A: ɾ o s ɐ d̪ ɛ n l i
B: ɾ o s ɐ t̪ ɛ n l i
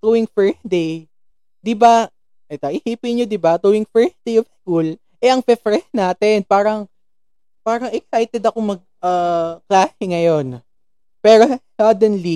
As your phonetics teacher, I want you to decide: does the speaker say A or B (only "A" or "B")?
A